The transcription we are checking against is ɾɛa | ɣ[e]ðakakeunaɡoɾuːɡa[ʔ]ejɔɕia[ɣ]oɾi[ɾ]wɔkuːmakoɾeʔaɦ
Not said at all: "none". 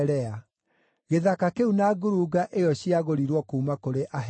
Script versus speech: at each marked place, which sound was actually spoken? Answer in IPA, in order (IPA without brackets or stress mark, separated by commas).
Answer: e, ʔ, ɣ, ɾ